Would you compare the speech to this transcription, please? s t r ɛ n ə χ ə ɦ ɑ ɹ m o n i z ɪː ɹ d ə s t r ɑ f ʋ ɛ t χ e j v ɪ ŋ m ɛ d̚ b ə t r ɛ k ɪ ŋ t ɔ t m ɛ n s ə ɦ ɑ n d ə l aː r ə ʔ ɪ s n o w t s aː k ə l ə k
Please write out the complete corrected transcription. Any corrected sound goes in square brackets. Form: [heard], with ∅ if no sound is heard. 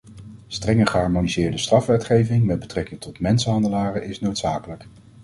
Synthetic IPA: s t r ɛ [ŋ] ə χ ə ɦ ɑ ɹ m o n i z ɪː ɹ d ə s t r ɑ f ʋ ɛ t χ e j v ɪ ŋ m ɛ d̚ b ə t r ɛ k ɪ ŋ t ɔ t m ɛ n s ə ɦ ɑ n d ə l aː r ə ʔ ɪ s n o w t s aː k ə l ə k

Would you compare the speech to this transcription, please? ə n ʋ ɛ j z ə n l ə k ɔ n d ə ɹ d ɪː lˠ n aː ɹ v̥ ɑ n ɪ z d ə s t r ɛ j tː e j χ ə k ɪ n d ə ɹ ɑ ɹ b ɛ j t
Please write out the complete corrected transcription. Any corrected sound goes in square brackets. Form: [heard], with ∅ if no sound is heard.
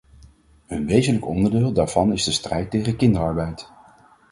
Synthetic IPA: ə n ʋ [e] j z ə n l ə k ɔ n d ə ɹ d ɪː lˠ [d] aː ɹ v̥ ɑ n ɪ z d ə s t r ɛ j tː e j χ ə k ɪ n d ə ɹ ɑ ɹ b ɛ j t

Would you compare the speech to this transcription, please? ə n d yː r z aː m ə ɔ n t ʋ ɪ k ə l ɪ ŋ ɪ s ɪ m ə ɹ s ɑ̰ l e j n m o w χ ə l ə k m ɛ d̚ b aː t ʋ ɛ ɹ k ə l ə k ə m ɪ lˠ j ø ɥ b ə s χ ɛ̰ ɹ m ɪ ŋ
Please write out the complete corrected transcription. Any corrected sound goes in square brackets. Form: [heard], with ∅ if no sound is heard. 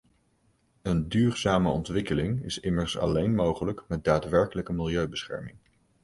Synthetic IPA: ə n d yː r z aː m ə ɔ n t ʋ ɪ k ə l ɪ ŋ ɪ s ɪ m ə ɹ s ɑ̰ l e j n m o w χ ə l ə k m ɛ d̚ [d] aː t ʋ ɛ ɹ k ə l ə k ə m ɪ lˠ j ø ɥ b ə s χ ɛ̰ ɹ m ɪ ŋ

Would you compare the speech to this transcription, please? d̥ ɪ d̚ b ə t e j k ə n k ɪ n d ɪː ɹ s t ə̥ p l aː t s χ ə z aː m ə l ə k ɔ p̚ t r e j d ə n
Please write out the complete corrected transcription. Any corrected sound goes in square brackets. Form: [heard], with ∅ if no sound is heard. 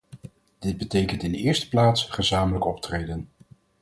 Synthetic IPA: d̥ ɪ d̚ b ə t e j k ə n [t] ɪ n d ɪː ɹ s t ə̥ p l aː t s χ ə z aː m ə l ə k ɔ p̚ t r e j d ə n

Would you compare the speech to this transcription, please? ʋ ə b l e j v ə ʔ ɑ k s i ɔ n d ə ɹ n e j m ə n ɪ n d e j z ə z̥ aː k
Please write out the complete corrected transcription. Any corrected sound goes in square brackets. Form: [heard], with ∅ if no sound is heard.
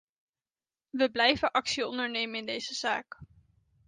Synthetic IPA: ʋ ə b l [ɛ] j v ə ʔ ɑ k s i ɔ n d ə ɹ n e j m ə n ɪ n d e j z ə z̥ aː k

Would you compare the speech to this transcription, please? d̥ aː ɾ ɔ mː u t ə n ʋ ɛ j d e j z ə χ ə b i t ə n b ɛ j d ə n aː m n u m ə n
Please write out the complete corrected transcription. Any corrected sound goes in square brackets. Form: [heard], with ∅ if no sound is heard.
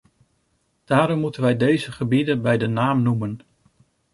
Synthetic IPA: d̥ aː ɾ ɔ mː u t ə n ʋ ɛ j d e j z ə χ ə b i [d] ə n b ɛ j d ə n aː m n u m ə n

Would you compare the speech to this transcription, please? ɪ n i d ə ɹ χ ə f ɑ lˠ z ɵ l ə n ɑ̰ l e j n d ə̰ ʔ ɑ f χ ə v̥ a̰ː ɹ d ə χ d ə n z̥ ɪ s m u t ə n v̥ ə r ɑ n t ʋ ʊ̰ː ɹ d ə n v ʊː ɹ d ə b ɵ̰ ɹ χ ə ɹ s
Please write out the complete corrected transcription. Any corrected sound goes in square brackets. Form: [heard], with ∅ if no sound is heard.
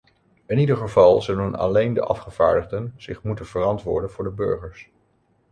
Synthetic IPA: ɪ n i d ə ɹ χ ə [v] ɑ lˠ z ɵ l ə n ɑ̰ l e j n d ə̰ ʔ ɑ f χ ə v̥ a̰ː ɹ d ə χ d ə n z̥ ɪ [χ] m u t ə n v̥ ə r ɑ n t ʋ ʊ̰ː ɹ d ə n v ʊː ɹ d ə b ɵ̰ ɹ χ ə ɹ s

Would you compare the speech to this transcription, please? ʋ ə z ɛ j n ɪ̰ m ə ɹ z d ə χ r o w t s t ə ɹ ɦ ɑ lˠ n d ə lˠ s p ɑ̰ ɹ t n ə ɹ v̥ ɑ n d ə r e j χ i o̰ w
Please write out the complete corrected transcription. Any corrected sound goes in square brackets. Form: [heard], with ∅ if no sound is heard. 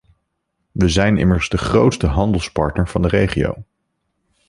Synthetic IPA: ʋ ə z ɛ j n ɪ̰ m ə ɹ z d ə χ r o w t s t ə [∅] ɦ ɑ [∅] n d ə lˠ s p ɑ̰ ɹ t n ə ɹ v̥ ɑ n d ə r e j χ i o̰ w

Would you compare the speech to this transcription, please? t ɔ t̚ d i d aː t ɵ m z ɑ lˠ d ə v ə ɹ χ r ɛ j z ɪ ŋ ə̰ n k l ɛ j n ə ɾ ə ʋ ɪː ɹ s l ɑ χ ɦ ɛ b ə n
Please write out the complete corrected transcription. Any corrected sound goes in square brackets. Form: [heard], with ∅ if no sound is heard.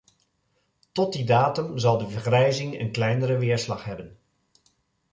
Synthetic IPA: t ɔ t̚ d i d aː t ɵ m z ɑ lˠ d ə v ə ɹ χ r ɛ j z ɪ ŋ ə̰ n k l ɛ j n ə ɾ ə ʋ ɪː ɹ s l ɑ χ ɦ ɛ b ə n

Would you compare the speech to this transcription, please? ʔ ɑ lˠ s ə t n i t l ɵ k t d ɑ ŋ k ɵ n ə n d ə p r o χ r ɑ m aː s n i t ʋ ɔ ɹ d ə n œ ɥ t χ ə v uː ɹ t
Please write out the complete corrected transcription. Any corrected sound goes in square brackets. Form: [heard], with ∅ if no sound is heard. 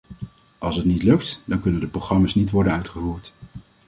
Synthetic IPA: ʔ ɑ lˠ s ə t n i t l ɵ k t d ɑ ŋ k ɵ n ə n d ə p r o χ r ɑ m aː s n i t ʋ ɔ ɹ d ə n œ ɥ t χ ə v uː ɹ t

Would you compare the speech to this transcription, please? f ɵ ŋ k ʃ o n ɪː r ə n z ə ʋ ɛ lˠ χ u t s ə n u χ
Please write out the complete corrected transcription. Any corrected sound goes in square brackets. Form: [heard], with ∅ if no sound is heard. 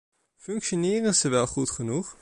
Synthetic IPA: f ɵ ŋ k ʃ o n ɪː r ə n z ə ʋ ɛ lˠ χ u t [χ] ə n u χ

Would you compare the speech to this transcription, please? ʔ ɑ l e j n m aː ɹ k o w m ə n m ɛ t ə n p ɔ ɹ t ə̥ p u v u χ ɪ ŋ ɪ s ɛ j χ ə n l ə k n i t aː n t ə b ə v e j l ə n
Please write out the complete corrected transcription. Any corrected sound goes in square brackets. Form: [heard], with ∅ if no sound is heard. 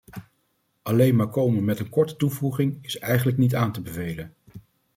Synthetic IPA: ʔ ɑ l e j n m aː ɹ k o w m ə n m ɛ t ə n [k] ɔ ɹ t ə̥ [t] u v u χ ɪ ŋ ɪ s ɛ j χ ə n l ə k n i t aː n t ə b ə v e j l ə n

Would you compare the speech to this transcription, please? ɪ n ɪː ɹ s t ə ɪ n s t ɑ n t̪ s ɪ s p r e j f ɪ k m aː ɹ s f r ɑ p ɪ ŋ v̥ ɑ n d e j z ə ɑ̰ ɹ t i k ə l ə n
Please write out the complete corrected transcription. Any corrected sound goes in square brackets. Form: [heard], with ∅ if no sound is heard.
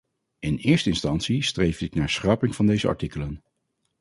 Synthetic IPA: ɪ n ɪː ɹ s t ə ɪ n s t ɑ n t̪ s [i] s [t] r e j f ɪ k [n] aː ɹ s [χ] r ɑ p ɪ ŋ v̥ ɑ n d e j z ə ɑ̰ ɹ t i k ə l ə n

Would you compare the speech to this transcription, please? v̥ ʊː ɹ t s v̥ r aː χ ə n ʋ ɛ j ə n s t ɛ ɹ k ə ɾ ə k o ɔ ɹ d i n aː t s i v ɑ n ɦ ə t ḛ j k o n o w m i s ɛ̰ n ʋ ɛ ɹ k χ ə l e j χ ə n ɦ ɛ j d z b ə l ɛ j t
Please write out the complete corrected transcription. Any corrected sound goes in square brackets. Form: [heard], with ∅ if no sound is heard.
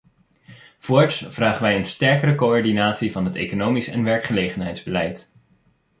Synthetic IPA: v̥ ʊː ɹ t s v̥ r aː χ ə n ʋ ɛ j ə n s t ɛ ɹ k ə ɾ ə k o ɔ ɹ d i n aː t s i v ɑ n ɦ ə t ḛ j k o n o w m i s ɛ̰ n ʋ ɛ ɹ k χ ə l e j χ ə n ɦ ɛ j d z b ə l ɛ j t

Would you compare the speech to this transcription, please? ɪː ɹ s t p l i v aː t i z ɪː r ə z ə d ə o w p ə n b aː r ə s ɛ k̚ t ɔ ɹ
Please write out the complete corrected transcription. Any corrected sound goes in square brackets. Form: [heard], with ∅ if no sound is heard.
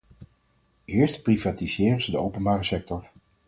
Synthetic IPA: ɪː ɹ s t p [r] i v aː t i z ɪː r ə z ə d ə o w p ə n b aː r ə s ɛ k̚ t ɔ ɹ

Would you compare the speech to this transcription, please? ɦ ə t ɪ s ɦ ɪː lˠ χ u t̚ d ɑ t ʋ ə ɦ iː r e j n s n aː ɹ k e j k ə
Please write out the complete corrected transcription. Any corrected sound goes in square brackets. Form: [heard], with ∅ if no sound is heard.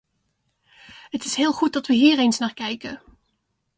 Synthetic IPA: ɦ ə t ɪ s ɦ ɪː lˠ χ u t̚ d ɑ t ʋ ə ɦ iː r e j n s n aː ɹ k [ɛ] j k ə

